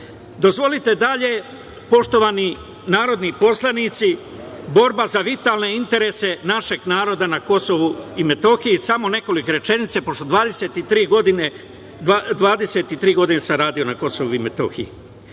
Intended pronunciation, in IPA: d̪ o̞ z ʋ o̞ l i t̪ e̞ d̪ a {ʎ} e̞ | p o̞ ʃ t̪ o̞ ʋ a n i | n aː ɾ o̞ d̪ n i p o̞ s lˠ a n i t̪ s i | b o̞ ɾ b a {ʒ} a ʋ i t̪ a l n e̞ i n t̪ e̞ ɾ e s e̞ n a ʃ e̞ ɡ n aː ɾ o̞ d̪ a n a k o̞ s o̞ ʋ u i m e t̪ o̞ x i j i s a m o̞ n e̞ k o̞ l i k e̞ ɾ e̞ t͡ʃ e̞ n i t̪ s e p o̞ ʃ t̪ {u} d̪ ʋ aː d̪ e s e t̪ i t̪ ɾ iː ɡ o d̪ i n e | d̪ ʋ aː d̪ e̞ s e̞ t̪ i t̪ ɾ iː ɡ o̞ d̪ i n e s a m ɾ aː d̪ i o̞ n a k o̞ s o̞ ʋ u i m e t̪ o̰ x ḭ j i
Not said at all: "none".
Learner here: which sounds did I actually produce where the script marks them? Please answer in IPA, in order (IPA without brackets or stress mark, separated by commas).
ʎ, z, o